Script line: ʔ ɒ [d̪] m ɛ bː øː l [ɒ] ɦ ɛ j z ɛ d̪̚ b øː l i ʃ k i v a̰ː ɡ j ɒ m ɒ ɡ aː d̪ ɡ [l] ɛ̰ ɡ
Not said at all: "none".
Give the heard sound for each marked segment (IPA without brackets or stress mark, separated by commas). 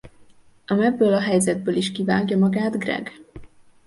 none, ɒ, r